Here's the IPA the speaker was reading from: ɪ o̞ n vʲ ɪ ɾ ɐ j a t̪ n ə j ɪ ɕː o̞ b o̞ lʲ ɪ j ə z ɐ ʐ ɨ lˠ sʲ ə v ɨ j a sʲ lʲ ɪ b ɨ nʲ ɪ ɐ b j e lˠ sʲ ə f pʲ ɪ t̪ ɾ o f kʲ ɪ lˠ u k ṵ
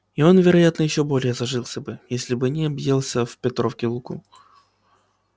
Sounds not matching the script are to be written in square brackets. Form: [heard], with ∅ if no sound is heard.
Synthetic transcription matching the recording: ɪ o̞ n vʲ ɪ ɾ ɐ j a t̪ n ə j ɪ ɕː o̞ b o̞ lʲ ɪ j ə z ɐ ʐ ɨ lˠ sʲ ə [b] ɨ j [e] sʲ lʲ ɪ b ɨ nʲ ɪ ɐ b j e lˠ sʲ ə f pʲ ɪ t̪ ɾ o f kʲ ɪ lˠ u k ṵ

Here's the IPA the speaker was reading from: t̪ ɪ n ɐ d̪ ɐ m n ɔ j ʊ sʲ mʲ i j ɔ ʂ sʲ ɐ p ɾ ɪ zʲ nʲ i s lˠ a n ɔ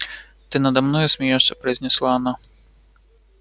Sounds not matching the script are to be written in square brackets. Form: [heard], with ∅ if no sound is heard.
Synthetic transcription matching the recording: t̪ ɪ n ɐ d̪ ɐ m n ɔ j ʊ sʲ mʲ i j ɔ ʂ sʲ ɐ p ɾ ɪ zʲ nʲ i s lˠ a n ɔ

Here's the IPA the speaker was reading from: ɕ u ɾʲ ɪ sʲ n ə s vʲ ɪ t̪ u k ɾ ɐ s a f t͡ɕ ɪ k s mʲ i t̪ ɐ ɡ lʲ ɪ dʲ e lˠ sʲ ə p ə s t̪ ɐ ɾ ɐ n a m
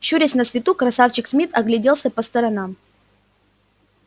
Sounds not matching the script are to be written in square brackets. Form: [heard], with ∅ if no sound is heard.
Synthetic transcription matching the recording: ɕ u ɾʲ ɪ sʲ n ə s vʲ ɪ t̪ u k ɾ ɐ s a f t͡ɕ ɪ k s mʲ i t̪ ɐ ɡ lʲ ɪ dʲ e lˠ sʲ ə p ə s t̪ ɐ ɾ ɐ n a m

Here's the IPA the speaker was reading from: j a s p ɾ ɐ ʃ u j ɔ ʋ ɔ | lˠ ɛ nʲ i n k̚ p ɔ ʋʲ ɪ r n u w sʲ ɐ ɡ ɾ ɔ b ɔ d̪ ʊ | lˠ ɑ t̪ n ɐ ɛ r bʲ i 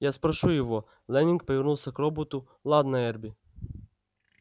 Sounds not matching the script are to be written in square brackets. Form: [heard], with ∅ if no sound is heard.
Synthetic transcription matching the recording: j a s p ɾ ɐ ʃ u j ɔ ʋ ɔ | lˠ ɛ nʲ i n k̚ p ɔ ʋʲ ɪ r n u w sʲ ɐ [k] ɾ ɔ b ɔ [t̪] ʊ | lˠ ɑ [d̪] n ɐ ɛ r bʲ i

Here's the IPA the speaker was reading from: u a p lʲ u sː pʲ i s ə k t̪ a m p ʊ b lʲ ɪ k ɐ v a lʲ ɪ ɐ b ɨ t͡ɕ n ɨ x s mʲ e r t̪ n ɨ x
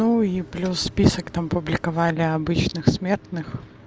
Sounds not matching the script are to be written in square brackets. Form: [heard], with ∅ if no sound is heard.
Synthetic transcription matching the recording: u [i] p lʲ u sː pʲ i s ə k t̪ a m p ʊ b lʲ ɪ k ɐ v a lʲ ɪ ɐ b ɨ t͡ɕ n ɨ x s mʲ e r t̪ n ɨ x

